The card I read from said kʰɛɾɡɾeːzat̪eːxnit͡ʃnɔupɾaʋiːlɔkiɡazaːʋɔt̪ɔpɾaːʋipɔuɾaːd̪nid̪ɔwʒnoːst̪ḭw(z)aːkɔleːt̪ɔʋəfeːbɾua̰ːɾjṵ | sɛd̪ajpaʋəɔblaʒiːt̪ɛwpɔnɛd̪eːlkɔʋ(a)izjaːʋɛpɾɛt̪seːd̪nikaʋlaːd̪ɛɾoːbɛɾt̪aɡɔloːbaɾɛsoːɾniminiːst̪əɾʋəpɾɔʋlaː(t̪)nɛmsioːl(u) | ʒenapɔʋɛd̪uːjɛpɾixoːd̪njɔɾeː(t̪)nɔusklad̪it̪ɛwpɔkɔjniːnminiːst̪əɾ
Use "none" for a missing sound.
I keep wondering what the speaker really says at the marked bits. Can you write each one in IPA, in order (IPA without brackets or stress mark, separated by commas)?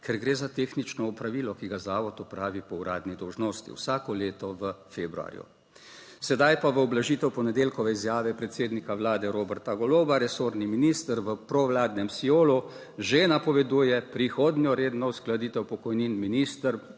s, ɛ, d̪, u, d̪